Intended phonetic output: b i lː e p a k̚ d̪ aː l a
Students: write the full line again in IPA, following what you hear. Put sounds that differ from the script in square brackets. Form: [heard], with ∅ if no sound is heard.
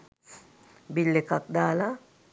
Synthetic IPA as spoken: b i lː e [k] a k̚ d̪ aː l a